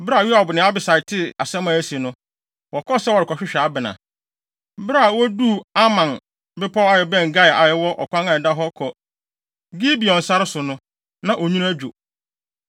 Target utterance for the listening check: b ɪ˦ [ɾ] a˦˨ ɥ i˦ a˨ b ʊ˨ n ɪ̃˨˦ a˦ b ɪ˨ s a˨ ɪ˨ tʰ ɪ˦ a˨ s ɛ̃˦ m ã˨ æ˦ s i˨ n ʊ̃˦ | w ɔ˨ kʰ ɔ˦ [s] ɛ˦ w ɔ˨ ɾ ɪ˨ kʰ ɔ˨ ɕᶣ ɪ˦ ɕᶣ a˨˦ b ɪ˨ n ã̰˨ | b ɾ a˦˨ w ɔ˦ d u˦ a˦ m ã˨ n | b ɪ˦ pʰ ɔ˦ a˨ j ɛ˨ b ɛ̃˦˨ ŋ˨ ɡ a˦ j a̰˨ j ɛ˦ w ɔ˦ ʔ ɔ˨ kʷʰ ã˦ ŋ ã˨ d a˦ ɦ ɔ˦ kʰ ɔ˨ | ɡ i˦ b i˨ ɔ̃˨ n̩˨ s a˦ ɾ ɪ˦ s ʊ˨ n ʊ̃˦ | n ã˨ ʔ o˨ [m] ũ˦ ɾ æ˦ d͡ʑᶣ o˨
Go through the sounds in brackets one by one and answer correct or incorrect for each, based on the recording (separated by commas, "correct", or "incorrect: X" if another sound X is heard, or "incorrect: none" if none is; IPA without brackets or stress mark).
correct, correct, incorrect: ɲ